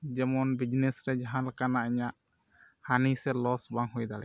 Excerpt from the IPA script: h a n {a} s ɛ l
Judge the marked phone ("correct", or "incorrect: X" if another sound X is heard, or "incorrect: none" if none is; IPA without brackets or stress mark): incorrect: i